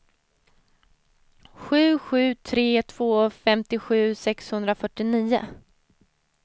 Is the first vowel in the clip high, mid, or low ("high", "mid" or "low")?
high